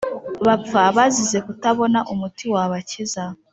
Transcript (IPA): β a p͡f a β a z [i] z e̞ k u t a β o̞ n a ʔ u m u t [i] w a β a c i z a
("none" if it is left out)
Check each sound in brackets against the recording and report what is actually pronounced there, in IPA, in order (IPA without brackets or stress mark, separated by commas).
i, i